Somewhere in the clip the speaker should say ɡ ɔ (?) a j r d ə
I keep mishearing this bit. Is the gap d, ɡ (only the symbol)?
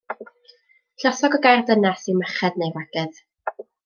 ɡ